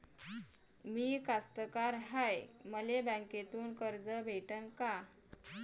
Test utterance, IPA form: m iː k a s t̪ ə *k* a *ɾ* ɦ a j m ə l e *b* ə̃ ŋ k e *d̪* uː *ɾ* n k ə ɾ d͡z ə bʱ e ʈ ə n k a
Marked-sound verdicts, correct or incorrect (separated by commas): correct, correct, correct, incorrect, incorrect